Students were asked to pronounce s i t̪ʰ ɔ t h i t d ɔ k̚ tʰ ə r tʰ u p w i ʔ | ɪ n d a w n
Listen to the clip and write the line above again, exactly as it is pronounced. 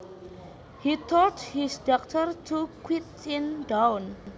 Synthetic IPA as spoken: h i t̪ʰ ɔ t h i s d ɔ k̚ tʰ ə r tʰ u k w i t | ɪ n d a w n